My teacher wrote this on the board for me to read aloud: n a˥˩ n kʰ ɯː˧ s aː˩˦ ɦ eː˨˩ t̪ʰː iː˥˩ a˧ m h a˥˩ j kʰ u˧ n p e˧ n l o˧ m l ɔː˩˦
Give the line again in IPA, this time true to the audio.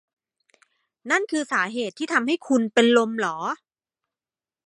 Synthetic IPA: n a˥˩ n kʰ ɯː˧ s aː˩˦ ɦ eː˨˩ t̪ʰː iː˥˩ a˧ m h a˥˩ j kʰ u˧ n p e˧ n l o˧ m l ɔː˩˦